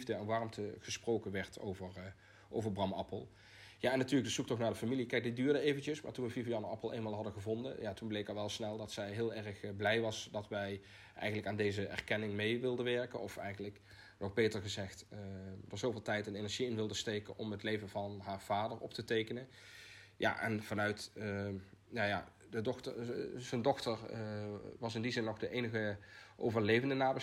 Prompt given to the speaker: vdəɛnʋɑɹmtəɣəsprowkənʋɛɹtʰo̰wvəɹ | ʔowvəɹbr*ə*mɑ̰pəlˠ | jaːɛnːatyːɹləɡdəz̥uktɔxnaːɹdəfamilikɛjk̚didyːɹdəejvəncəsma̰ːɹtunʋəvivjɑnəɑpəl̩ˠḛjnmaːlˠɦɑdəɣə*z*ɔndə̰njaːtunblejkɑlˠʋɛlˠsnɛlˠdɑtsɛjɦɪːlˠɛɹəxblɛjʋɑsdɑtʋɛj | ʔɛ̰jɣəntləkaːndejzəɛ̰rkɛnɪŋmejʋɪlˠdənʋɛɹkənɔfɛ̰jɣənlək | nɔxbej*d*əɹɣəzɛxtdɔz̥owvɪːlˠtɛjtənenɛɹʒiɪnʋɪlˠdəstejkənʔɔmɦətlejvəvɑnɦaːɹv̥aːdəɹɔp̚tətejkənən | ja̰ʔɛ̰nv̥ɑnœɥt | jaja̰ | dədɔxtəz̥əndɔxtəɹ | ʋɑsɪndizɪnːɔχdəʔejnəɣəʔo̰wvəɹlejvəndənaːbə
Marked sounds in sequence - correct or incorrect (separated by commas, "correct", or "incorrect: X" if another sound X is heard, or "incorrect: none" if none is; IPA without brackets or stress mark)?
incorrect: ɑ, incorrect: v, incorrect: t